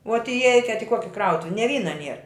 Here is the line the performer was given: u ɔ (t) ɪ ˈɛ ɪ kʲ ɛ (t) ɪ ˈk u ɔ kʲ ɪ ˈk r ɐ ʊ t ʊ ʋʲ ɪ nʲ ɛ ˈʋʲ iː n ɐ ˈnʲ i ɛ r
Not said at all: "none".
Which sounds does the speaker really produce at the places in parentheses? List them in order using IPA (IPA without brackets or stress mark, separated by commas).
t, t